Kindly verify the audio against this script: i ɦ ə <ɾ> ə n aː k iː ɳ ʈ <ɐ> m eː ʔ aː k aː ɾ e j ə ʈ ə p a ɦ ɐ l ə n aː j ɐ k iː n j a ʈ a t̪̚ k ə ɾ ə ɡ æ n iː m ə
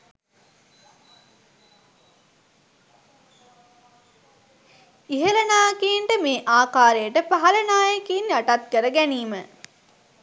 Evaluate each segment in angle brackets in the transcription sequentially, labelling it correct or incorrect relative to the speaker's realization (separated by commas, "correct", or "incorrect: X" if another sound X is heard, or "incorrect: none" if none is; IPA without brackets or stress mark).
incorrect: l, incorrect: ə